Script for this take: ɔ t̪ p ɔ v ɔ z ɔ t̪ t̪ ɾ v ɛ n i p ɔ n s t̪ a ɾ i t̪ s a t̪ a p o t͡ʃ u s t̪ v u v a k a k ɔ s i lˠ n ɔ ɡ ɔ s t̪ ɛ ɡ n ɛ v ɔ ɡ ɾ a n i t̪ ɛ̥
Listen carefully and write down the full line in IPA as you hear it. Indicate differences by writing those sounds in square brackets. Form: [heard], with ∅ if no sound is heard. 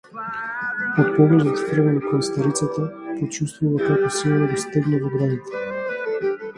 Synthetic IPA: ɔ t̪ p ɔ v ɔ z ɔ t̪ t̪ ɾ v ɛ n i [k] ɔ n s t̪ a ɾ i t̪ s a t̪ a p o t͡ʃ u s t̪ v u v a k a k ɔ s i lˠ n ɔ ɡ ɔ s t̪ ɛ ɡ n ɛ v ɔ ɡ ɾ a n i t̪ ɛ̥